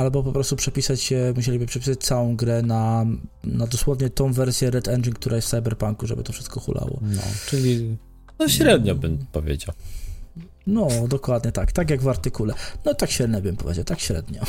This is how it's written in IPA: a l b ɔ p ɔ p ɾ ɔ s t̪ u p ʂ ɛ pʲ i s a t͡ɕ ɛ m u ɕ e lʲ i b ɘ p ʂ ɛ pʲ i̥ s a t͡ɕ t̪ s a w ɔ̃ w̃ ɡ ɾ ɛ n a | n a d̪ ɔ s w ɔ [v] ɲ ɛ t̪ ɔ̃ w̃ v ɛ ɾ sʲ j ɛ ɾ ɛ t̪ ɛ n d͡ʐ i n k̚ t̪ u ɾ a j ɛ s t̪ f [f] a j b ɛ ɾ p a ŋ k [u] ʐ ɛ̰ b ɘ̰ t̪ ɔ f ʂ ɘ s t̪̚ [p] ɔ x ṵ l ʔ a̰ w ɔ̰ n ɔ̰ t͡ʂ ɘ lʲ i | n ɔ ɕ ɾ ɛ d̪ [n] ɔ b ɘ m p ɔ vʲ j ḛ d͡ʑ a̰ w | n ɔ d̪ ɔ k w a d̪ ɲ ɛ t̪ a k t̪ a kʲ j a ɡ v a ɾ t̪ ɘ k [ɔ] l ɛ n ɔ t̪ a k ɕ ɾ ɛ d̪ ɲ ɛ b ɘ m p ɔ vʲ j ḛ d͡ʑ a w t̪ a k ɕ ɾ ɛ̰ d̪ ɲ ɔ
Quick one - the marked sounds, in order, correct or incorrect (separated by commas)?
correct, incorrect, correct, incorrect, incorrect, incorrect